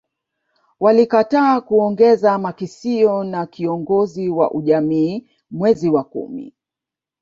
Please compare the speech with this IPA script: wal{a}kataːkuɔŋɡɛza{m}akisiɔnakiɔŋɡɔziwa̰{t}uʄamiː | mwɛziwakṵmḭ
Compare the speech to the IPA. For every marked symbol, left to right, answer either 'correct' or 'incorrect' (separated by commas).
incorrect, correct, incorrect